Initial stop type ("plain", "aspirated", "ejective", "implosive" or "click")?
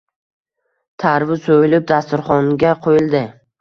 aspirated